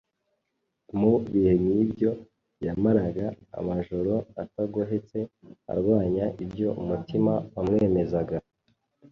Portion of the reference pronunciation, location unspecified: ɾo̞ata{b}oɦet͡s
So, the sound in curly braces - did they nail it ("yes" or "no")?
no